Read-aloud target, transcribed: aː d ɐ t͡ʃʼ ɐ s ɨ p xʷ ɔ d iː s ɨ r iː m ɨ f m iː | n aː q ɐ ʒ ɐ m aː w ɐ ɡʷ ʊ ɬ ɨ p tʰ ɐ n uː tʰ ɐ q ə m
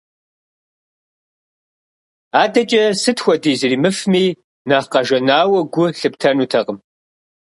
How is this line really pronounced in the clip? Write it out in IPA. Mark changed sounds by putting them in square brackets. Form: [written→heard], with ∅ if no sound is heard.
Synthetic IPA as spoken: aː d ɐ t͡ʃʼ ɐ s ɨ [p→t] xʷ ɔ d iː [s→z] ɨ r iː m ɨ f m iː | n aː q ɐ ʒ ɐ [m→n] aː w ɐ ɡʷ ʊ ɬ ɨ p tʰ ɐ n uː tʰ ɐ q ə m